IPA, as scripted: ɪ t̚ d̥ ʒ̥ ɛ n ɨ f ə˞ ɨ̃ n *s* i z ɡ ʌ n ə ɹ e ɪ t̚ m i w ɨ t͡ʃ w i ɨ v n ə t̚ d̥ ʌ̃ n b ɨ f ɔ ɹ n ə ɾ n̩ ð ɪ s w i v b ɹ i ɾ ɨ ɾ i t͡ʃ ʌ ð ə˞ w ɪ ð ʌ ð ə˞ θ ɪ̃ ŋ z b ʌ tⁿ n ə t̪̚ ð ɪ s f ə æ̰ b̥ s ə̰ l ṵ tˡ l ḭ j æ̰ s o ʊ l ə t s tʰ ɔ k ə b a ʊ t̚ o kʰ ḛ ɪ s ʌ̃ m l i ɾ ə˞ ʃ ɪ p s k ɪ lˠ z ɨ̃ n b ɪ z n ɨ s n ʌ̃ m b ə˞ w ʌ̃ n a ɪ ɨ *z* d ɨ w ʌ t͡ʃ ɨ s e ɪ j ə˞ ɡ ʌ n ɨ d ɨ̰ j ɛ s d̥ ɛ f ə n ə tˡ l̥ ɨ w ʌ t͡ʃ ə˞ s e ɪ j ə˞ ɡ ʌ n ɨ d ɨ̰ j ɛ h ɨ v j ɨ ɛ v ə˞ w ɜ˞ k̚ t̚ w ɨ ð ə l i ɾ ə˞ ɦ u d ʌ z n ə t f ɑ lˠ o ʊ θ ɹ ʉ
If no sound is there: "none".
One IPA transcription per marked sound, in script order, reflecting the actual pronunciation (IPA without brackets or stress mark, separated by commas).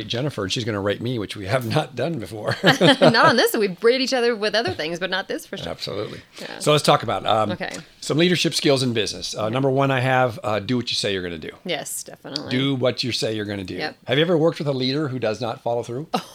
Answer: ʃ, v